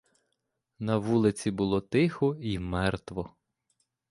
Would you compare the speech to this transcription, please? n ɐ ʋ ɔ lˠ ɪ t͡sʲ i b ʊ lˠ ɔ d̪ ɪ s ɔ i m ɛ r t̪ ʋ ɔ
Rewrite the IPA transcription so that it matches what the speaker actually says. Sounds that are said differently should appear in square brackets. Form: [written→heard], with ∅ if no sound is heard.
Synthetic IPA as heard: n ɐ ʋ [ɔ→u] lˠ ɪ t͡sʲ i b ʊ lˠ ɔ [d̪→t̪] ɪ [s→x] ɔ i m ɛ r t̪ ʋ ɔ